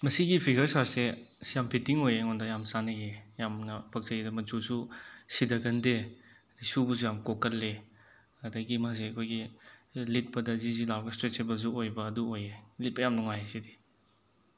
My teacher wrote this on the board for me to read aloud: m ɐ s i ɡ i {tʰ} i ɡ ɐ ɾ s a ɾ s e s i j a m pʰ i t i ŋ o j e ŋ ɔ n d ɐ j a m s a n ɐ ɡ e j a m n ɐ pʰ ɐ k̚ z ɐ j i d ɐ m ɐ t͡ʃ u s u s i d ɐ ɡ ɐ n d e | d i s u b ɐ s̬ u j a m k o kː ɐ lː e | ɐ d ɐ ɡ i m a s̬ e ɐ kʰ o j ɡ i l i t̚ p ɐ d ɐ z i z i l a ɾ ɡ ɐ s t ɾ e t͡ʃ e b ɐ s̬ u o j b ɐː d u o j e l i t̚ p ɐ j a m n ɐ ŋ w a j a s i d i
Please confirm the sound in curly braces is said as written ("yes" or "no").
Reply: no